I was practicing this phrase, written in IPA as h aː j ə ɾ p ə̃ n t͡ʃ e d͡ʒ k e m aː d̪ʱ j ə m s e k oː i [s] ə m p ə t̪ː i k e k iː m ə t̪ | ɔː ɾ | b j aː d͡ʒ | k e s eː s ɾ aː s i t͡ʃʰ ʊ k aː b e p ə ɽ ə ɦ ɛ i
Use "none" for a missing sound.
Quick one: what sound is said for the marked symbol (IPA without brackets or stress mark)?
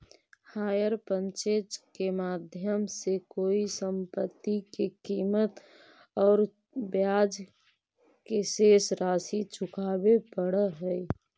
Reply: s